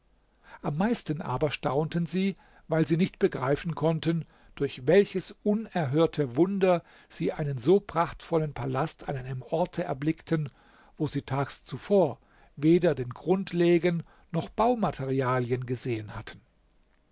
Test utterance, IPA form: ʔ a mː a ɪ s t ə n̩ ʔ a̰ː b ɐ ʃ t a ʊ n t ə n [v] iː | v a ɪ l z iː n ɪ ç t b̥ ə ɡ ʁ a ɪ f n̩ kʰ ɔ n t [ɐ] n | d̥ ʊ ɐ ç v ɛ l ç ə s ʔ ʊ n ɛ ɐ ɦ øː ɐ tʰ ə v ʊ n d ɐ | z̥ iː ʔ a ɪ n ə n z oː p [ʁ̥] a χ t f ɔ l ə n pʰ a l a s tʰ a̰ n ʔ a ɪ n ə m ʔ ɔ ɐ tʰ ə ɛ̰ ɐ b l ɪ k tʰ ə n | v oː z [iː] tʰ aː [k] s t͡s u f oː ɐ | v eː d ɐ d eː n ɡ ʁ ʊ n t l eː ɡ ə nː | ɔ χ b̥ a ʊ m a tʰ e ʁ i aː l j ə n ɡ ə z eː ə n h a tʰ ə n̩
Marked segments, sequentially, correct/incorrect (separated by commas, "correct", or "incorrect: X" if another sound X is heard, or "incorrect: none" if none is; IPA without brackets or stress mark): incorrect: z, incorrect: ə, correct, correct, correct